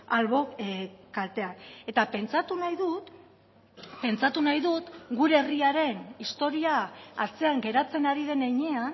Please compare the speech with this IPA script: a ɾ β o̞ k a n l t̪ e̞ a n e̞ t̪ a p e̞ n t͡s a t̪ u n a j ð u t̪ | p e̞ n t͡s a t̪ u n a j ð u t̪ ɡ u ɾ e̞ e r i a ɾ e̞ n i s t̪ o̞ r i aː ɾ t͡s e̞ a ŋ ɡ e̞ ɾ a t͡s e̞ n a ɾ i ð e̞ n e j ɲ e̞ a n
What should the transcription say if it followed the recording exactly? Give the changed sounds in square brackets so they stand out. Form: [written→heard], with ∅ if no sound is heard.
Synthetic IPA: a [ɾ→l] β o̞ k a [n→∅] l t̪ e̞ a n e̞ t̪ a p e̞ n t͡s a t̪ u n a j ð u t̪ | p e̞ n t͡s a t̪ u n a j ð u t̪ ɡ u ɾ e̞ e r i a ɾ e̞ n i s t̪ o̞ [r→ɾ] i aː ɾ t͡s e̞ a ŋ ɡ e̞ ɾ a t͡s e̞ n a ɾ i ð e̞ n e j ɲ e̞ a n